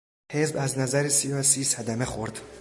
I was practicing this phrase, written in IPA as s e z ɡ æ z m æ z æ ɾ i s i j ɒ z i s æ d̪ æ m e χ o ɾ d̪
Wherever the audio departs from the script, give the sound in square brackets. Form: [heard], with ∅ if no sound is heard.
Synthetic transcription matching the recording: [h] e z [b] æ z [n] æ z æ ɾ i s i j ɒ [s] i s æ d̪ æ m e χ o ɾ d̪